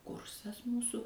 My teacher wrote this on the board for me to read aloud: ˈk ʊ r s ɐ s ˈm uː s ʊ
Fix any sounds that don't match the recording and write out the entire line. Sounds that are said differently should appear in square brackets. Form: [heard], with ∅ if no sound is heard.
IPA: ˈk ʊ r s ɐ s ˈm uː s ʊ